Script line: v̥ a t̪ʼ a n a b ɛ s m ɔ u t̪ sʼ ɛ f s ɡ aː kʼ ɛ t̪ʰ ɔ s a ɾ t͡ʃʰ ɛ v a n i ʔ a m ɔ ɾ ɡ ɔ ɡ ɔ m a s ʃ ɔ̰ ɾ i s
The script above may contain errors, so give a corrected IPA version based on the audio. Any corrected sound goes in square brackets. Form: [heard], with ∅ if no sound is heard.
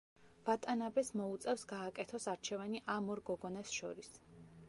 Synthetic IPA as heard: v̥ a t̪ʼ a n a b ɛ s m ɔ u t̪ sʼ ɛ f s ɡ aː kʼ ɛ t̪ʰ ɔ s a ɾ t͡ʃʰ ɛ v a n i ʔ a m ɔ ɾ ɡ ɔ ɡ ɔ [n] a s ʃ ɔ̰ ɾ i s